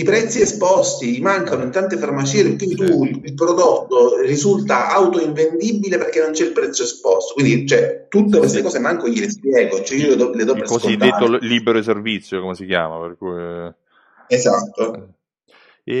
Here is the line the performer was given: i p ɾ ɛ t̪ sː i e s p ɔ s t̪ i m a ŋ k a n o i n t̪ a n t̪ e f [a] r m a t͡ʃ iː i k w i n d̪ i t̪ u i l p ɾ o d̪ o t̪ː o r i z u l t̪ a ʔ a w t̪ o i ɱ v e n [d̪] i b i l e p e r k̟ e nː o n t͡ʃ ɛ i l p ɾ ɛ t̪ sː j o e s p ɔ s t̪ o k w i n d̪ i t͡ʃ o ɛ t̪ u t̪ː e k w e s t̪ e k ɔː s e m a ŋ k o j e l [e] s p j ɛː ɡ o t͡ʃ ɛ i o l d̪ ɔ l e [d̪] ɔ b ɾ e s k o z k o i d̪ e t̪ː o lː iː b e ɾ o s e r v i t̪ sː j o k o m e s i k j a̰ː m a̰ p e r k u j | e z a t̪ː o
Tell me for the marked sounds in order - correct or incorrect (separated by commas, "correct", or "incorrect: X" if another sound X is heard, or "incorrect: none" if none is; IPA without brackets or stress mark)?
correct, correct, correct, correct